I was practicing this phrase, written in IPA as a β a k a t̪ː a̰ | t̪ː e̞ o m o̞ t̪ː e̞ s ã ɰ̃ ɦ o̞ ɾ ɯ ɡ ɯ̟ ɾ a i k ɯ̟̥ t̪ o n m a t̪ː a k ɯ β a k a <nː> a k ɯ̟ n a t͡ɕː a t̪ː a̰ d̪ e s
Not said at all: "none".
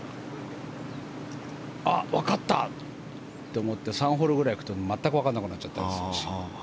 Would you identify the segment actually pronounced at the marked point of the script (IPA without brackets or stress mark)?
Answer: nː